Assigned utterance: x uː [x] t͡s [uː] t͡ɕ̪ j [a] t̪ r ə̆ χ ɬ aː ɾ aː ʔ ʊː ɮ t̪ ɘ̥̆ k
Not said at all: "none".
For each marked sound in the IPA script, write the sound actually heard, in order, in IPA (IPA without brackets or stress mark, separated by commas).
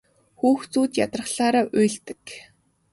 x, uː, a